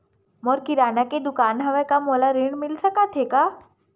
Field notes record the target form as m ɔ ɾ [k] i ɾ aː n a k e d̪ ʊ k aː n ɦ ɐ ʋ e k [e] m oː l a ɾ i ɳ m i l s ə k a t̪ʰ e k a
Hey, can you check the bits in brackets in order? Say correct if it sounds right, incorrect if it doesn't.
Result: correct, incorrect

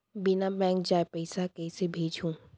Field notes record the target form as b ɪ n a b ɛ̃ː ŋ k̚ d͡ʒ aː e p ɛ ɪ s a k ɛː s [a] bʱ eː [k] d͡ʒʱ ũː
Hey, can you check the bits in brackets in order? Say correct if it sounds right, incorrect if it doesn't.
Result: incorrect, incorrect

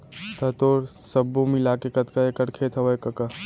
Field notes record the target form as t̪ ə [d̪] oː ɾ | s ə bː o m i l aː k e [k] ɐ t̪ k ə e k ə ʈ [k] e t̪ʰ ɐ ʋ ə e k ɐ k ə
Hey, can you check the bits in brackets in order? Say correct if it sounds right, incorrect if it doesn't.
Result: incorrect, correct, incorrect

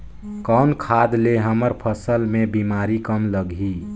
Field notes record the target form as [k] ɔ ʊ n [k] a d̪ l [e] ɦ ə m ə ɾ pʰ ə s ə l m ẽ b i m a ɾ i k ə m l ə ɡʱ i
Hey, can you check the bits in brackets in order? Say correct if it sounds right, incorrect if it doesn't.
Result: correct, incorrect, correct

